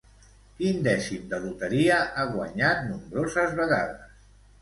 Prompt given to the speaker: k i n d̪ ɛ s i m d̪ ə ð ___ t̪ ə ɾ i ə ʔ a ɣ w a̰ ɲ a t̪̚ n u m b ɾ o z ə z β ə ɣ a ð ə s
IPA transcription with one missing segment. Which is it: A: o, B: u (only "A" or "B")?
B